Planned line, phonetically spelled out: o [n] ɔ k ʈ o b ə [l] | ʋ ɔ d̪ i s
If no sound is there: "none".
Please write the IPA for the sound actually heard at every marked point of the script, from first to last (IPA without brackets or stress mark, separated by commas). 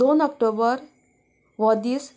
n, ɾ